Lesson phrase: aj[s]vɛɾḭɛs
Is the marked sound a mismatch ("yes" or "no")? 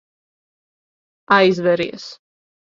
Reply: yes